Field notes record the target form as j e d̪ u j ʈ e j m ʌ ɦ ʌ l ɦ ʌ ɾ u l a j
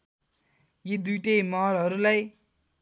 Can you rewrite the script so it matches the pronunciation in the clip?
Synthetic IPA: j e d̪ u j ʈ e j m ʌ ɦ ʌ l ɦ ʌ ɾ u l a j